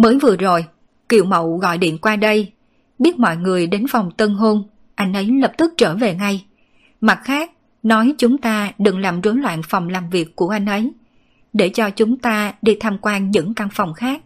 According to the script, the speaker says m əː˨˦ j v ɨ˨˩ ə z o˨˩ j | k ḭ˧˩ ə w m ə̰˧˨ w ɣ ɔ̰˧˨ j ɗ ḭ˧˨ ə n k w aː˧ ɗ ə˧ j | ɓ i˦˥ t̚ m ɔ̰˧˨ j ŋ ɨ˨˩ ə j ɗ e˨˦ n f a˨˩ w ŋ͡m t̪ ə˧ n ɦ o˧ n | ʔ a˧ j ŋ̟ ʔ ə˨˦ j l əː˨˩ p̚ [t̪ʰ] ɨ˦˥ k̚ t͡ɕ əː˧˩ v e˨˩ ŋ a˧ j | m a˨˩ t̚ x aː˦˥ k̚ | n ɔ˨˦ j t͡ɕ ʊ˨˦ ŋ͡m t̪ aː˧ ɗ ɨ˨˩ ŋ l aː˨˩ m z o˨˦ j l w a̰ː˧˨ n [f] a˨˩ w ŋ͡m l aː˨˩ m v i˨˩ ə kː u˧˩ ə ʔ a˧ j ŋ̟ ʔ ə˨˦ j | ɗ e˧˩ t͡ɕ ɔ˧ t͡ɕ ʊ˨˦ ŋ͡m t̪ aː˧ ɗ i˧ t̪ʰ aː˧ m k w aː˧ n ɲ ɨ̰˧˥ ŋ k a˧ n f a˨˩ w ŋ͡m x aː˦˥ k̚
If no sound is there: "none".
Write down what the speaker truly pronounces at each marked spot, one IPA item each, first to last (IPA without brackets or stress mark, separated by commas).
t̪, f